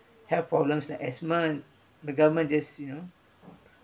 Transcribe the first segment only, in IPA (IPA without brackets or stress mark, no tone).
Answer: h